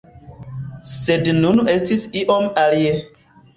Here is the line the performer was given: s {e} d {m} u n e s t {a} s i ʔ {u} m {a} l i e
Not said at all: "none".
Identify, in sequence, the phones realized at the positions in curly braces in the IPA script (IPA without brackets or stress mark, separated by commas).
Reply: e, n, i, o, a